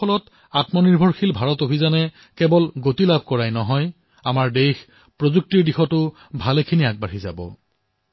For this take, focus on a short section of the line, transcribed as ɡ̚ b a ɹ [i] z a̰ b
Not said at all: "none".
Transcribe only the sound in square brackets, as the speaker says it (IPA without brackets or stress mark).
i